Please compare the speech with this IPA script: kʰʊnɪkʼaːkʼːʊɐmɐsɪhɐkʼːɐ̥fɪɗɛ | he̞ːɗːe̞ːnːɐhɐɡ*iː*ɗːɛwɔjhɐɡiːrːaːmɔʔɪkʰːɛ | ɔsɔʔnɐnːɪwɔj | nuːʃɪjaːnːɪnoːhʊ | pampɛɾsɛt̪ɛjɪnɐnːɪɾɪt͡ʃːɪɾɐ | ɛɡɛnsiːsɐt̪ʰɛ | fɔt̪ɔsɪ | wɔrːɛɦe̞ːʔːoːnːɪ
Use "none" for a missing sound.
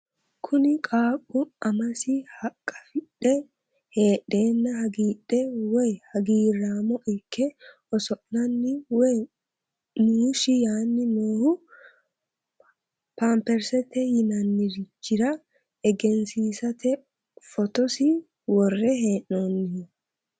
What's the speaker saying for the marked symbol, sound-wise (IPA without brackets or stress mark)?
iː